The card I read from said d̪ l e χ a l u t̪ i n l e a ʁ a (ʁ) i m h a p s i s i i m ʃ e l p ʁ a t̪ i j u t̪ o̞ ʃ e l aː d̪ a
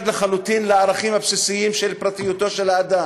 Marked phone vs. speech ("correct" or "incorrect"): incorrect